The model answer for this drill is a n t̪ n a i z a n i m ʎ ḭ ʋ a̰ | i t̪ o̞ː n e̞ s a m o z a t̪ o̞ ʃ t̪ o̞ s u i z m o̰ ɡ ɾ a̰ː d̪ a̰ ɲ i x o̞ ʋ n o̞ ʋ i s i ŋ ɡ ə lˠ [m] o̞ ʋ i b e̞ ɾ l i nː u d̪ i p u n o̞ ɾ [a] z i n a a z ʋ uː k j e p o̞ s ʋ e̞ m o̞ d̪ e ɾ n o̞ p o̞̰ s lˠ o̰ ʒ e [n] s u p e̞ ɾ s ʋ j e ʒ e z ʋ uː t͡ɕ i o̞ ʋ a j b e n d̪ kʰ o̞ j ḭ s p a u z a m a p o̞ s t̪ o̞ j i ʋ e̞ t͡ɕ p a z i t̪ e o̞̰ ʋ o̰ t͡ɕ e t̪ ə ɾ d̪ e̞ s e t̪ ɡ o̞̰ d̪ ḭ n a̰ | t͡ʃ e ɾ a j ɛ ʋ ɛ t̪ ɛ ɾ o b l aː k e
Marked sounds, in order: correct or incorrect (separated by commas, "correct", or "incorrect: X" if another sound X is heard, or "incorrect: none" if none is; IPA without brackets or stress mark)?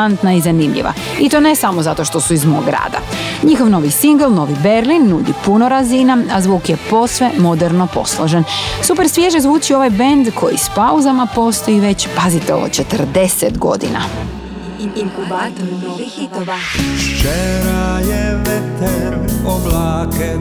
incorrect: n, correct, correct